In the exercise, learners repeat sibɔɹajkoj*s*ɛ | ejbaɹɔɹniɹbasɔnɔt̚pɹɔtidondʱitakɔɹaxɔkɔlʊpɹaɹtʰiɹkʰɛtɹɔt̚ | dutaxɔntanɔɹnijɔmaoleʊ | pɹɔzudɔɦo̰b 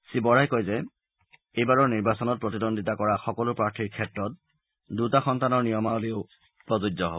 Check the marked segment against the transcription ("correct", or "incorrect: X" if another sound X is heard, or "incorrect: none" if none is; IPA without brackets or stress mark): incorrect: z